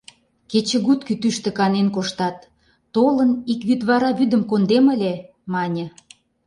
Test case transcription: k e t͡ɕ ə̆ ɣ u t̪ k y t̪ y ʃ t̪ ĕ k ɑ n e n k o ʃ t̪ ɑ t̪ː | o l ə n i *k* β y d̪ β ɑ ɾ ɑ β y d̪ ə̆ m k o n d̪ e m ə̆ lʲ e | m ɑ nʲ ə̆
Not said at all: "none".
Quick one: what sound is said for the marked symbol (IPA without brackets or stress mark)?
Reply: k